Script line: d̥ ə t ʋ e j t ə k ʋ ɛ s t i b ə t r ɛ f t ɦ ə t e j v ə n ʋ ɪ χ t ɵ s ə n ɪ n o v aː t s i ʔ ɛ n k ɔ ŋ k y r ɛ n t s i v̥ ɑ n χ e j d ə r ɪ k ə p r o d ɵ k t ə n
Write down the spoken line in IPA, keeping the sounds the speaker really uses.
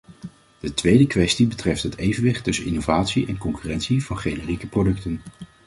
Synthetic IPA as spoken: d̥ ə t ʋ e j d ə k ʋ ɛ s t i b ə t r ɛ f t ɦ ə t e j v ə n ʋ ɪ χ t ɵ s ə n ɪ n o v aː t s i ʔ ɛ n k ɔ ŋ k y r ɛ n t s i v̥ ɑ n χ e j n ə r i k ə p r o d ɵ k t ə n